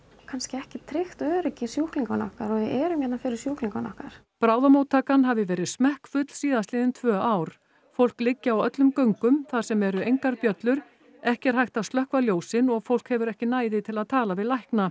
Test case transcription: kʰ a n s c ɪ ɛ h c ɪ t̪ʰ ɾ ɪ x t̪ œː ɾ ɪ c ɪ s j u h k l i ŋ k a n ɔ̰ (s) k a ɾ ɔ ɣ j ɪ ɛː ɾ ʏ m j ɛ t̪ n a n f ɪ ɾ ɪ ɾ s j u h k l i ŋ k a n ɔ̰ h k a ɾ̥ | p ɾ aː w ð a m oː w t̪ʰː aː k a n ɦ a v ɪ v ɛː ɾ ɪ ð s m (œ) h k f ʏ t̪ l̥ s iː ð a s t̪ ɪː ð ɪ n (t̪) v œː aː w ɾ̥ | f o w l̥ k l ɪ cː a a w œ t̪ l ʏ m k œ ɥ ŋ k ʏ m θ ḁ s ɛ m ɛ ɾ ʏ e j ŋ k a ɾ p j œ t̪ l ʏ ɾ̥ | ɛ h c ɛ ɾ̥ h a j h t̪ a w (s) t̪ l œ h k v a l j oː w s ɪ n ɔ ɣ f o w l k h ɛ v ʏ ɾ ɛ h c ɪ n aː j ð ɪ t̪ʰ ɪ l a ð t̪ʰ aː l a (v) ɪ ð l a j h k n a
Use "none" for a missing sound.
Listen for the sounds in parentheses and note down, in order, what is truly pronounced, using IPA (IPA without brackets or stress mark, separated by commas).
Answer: h, ɛ, t̪ʰ, s, v